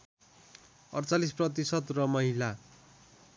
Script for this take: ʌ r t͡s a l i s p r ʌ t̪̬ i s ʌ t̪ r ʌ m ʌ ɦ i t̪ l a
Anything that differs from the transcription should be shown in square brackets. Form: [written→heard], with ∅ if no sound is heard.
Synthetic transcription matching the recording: ʌ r t͡s a l i s p r ʌ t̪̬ i s ʌ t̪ r ʌ m ʌ ɦ i [t̪→∅] l a